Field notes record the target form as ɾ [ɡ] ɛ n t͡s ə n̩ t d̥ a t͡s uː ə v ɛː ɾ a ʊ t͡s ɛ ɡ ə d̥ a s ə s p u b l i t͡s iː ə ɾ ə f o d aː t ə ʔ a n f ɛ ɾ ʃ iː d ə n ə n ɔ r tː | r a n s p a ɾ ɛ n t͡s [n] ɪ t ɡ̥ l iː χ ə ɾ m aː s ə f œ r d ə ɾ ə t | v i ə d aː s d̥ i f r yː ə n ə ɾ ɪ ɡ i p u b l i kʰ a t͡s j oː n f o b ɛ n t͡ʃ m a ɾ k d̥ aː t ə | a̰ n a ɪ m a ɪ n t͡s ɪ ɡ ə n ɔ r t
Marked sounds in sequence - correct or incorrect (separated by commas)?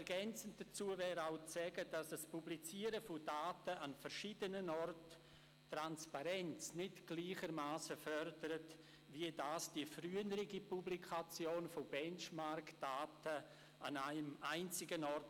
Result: correct, correct